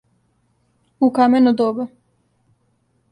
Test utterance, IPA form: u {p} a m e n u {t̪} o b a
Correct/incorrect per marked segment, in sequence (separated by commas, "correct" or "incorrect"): incorrect, incorrect